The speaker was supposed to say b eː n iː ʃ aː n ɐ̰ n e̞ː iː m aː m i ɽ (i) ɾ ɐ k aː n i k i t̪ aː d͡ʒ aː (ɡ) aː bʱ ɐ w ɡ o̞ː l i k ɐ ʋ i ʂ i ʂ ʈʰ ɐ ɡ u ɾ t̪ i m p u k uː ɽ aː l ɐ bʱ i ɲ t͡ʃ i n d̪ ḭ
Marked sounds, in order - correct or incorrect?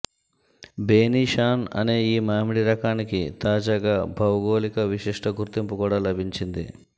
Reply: correct, correct

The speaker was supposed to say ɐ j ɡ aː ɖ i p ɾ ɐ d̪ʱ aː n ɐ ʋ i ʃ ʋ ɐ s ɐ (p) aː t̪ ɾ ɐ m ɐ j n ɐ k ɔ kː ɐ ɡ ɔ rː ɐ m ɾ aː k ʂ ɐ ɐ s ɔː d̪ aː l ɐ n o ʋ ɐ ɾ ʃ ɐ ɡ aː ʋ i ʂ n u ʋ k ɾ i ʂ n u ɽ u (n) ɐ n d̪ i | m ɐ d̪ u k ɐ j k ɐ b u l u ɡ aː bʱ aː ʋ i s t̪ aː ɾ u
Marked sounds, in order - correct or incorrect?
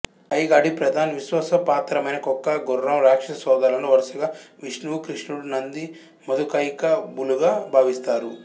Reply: correct, correct

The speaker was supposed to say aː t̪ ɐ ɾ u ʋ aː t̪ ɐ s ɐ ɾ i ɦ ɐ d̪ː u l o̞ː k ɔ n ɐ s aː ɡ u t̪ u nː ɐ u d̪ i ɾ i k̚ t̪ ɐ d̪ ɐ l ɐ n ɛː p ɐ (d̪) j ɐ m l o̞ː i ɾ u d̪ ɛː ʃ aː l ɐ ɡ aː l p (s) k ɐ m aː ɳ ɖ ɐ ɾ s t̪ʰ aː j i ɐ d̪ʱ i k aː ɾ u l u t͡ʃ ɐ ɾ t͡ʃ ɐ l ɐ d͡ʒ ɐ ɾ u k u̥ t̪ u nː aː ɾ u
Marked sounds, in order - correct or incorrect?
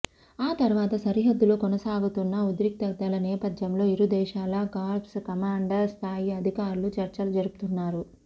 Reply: correct, correct

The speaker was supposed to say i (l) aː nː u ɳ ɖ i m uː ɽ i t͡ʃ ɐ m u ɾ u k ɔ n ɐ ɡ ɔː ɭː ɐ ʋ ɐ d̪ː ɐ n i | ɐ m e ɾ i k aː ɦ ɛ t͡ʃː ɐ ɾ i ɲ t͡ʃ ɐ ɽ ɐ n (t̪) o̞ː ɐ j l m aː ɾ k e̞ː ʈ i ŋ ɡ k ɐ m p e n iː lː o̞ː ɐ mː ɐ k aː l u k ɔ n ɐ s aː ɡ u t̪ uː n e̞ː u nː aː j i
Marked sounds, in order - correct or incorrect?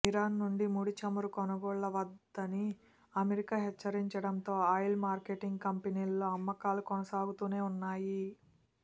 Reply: incorrect, correct

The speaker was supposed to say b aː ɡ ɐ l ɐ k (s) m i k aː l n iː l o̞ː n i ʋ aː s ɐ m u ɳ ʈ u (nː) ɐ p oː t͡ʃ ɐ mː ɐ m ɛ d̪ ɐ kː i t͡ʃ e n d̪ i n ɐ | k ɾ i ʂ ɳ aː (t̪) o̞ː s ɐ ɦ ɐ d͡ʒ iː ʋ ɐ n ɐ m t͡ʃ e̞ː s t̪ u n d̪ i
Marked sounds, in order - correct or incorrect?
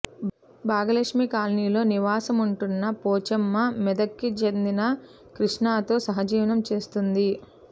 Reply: incorrect, correct, correct

